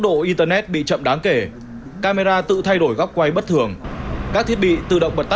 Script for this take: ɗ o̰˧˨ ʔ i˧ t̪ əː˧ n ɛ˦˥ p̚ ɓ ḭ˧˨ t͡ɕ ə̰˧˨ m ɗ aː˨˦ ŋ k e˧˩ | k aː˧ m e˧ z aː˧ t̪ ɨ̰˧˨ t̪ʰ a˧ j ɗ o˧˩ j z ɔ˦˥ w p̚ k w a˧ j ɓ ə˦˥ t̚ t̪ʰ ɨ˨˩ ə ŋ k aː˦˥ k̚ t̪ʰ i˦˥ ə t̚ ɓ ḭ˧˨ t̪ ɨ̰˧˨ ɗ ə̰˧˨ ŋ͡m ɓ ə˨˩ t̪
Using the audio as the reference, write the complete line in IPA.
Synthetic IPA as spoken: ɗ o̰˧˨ ʔ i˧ t̪ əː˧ n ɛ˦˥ t̚ ɓ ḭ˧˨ t͡ɕ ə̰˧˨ m ɗ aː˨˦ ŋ k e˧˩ | k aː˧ m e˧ z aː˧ t̪ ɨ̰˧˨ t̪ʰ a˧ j ɗ o˧˩ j ɣ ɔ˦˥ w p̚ k w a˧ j ɓ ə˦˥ t̚ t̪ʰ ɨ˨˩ ə ŋ k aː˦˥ k̚ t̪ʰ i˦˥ ə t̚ ɓ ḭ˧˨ t̪ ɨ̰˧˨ ɗ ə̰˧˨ ŋ͡m ɓ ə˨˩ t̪

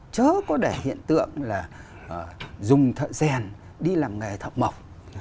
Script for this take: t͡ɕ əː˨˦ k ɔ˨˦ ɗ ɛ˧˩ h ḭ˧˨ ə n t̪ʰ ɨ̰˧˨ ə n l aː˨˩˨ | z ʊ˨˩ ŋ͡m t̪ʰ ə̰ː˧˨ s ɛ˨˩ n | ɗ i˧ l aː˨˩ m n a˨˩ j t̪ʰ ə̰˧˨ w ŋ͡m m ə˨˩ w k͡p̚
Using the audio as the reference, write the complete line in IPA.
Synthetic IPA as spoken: t͡ɕ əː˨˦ k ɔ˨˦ ɗ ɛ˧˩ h ḭ˧˨ ə n t̪ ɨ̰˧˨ ə ŋ l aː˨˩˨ | z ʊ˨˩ ŋ͡m t̪ʰ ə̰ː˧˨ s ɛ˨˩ n | ɗ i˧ l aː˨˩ m ŋ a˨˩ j t̪ʰ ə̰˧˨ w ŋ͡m m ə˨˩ w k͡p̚

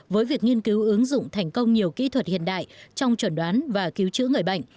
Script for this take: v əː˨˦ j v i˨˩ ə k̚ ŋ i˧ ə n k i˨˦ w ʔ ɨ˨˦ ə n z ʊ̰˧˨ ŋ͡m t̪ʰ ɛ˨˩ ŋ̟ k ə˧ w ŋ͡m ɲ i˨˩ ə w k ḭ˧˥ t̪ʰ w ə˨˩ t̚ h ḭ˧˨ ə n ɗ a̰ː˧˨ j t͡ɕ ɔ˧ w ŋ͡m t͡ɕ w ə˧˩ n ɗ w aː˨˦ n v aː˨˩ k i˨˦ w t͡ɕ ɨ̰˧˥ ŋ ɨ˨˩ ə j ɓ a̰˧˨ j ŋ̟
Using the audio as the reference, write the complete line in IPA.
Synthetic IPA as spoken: v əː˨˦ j v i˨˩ ə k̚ ŋ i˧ ə n k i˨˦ w ʔ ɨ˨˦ ə ŋ z ʊ̰˧˨ ŋ͡m t̪ʰ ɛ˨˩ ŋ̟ k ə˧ w ŋ͡m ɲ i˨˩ ə w k ḭ˧˥ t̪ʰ w ə˨˩ t̚ h ḭ˧˨ ə n ɗ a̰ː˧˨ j t͡ɕ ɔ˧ w ŋ͡m t͡ɕ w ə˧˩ n ɗ w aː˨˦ n v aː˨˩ k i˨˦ w t͡ɕ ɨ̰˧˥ ŋ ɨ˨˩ ə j ɓ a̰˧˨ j ŋ̟

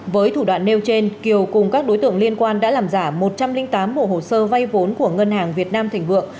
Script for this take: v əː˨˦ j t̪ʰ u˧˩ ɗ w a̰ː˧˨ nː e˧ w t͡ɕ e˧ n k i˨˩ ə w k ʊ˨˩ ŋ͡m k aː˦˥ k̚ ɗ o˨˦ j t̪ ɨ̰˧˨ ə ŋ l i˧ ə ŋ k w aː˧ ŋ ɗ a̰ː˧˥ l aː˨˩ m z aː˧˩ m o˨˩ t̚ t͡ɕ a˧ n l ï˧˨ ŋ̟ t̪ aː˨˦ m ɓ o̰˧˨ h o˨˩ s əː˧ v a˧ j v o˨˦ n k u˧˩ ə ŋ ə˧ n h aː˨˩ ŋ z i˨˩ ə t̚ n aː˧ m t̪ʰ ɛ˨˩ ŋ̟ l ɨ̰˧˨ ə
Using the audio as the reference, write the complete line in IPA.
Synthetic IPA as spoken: v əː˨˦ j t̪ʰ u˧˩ ɗ w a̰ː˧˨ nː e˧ w t͡ɕ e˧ n k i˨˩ ə w k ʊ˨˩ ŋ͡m k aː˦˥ k̚ ɗ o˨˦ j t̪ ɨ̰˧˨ ə ŋ l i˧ ə n k w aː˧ n ɗ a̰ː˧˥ l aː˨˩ m z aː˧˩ m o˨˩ t̚ t͡ɕ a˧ m l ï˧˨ ŋ̟ t̪ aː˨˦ m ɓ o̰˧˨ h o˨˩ s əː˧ v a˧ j v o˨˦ n k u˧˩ ə ŋ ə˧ n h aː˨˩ ŋ v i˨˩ ə t̚ n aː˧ m t̪ʰ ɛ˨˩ ŋ̟ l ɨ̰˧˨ ə

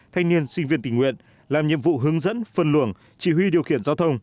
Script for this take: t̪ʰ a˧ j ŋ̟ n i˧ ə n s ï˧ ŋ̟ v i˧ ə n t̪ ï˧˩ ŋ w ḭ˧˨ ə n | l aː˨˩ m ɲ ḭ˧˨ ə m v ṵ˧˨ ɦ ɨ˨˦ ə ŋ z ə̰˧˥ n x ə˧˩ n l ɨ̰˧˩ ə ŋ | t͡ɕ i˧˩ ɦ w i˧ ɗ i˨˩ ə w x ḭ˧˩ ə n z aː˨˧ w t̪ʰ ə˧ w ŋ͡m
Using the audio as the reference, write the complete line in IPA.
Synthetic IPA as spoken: t̪ʰ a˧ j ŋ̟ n i˧ ə n s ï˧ ŋ̟ v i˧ ə n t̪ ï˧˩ ŋ w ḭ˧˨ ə n | l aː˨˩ m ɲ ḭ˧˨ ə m v ṵ˧˨ ɦ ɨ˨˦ ə ŋ z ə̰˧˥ n f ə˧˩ n l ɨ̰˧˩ ə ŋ | t͡ɕ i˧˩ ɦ w i˧ ɗ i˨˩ ə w x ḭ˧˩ ə n z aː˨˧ w t̪ʰ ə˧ w ŋ͡m

